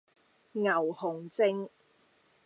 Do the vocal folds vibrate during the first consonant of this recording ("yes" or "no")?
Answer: yes